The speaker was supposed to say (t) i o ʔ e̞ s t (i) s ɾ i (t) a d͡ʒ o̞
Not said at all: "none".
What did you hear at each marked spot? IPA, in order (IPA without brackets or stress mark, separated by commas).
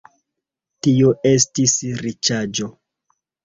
t, i, t͡ʃ